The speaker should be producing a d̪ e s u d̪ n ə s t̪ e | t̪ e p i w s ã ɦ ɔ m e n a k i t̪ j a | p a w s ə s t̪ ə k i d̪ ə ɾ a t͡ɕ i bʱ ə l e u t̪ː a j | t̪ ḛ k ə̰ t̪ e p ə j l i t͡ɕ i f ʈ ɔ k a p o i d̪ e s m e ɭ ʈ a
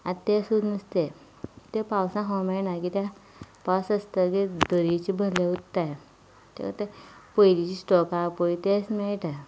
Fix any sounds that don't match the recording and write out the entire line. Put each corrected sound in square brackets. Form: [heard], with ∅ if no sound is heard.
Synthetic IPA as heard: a [t̪] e s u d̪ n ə s t̪ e | t̪ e p [a] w s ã ɦ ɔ m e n a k i t̪ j a | p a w s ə s t̪ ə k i d̪ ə ɾ [i] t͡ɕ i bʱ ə l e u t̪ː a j | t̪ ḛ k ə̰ t̪ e p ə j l i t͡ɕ i [s] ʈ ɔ k a p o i [t̪] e s m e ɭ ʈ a